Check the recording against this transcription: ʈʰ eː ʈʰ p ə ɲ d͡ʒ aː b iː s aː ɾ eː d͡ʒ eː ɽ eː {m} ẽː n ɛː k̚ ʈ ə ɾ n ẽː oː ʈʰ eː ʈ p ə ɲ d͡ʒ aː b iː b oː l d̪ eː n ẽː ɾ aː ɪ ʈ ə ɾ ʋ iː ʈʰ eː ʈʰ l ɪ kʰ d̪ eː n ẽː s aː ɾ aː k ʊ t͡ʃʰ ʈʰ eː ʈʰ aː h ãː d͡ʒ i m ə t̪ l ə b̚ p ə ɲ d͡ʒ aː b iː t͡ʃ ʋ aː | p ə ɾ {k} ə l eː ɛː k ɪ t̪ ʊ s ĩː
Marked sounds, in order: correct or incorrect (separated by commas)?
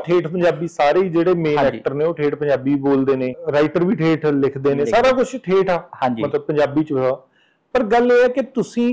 correct, incorrect